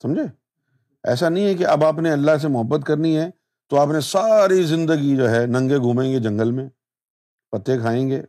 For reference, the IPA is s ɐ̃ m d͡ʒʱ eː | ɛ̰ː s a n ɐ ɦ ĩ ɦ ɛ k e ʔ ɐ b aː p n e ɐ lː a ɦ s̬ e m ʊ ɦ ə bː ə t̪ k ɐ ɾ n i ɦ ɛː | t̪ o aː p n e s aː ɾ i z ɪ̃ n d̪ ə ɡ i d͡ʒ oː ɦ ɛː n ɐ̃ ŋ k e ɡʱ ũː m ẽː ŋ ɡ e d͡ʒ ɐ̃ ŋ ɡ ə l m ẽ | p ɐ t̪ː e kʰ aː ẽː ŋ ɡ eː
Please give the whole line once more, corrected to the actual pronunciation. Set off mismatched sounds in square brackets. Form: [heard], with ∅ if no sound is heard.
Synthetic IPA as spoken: s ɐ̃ m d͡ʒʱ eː | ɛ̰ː s a n ɐ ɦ ĩ ɦ ɛ k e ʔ ɐ b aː p n e ɐ lː a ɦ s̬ e m ʊ ɦ ə bː ə t̪ k ɐ ɾ n i ɦ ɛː | t̪ o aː p n e s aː ɾ i z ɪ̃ n d̪ ə ɡ i d͡ʒ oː ɦ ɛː n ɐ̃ ŋ [ɡ] e ɡʱ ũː m ẽː ŋ ɡ e d͡ʒ ɐ̃ ŋ ɡ ə l m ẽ | p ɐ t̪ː e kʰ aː ẽː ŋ ɡ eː